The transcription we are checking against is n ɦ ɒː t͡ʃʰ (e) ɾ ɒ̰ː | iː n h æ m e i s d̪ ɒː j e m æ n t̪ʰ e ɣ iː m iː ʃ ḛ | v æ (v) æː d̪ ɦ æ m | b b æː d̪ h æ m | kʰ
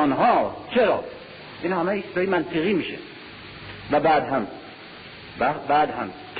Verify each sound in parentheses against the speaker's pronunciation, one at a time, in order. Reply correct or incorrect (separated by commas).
correct, incorrect